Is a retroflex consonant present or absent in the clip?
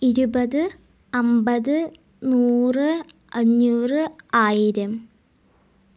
absent